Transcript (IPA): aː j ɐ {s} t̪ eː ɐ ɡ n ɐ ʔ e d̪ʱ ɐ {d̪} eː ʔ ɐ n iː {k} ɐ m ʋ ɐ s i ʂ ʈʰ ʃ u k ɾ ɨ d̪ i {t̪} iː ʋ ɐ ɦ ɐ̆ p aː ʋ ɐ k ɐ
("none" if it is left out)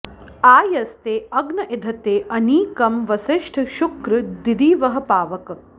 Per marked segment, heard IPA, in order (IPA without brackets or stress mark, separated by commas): s, t̪, k, d̪